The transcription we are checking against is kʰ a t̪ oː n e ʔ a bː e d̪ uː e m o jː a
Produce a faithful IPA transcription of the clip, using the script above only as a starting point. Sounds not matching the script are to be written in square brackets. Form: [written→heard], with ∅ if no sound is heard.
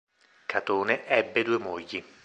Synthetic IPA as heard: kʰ a t̪ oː n e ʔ [a→ɛ] bː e d̪ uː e m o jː [a→i]